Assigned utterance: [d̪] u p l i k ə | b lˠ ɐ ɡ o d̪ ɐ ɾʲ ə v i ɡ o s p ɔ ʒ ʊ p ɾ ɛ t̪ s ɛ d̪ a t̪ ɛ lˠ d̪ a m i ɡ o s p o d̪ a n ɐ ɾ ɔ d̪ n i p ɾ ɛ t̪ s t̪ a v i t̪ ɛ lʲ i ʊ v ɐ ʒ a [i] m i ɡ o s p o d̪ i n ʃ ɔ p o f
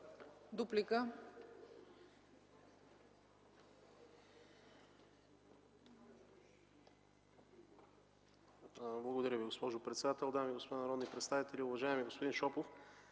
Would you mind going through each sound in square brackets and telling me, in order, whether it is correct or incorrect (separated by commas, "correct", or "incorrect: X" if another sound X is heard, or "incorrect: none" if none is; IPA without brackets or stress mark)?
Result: correct, incorrect: ɛ